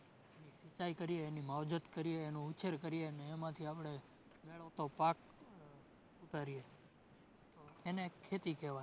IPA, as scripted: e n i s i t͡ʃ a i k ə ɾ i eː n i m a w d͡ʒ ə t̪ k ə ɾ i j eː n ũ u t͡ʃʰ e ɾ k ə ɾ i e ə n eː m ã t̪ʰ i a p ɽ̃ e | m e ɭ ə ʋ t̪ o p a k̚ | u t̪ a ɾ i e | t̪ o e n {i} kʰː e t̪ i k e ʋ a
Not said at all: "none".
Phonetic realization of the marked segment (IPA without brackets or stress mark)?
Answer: e